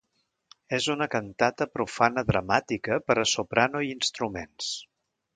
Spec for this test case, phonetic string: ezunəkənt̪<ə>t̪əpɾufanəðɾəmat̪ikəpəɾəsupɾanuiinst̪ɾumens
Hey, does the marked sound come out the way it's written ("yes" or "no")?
no